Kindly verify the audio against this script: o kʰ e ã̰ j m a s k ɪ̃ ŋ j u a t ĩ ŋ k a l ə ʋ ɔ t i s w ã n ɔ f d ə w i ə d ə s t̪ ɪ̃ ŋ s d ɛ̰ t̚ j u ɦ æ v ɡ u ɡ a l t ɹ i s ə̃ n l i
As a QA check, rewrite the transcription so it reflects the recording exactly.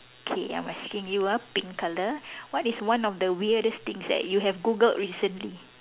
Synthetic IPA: o kʰ e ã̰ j m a s k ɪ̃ ŋ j u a p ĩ ŋ k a l ə w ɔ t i s w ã n ɔ f d ə w i ə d ə s t̪ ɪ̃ ŋ s d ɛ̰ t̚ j u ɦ ɛ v ɡ u ɡ ə l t ɹ i s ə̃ n l i